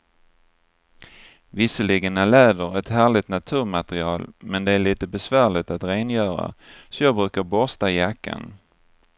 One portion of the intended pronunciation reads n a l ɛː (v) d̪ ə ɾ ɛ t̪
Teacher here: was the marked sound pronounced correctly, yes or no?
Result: no